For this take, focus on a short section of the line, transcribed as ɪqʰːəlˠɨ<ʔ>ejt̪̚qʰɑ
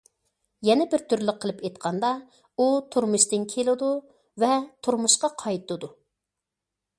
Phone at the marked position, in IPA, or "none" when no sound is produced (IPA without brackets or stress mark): p